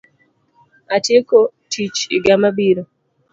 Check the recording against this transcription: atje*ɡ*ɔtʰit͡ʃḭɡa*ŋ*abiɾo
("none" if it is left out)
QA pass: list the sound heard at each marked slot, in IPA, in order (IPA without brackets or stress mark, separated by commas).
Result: k, m